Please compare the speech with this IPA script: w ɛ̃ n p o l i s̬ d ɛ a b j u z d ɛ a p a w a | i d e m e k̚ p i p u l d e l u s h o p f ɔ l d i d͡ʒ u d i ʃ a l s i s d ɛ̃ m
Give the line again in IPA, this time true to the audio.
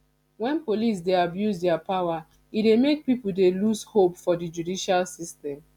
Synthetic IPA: w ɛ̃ n p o l i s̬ d e a b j u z d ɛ a p a w a | i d e m e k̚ p i p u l d e l u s h o p f ɔ d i d͡ʒ u d i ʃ a l s i s t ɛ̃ m